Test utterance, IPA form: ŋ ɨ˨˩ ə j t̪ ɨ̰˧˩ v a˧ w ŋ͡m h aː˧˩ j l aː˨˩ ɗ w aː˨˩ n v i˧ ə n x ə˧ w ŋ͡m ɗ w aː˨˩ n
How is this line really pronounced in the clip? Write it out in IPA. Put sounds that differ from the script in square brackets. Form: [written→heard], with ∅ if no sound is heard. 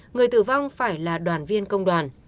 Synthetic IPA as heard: ŋ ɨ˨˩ ə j t̪ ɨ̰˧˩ v a˧ w ŋ͡m [h→f] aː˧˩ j l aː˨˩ ɗ w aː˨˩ n v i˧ ə n [x→k] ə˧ w ŋ͡m ɗ w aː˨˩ n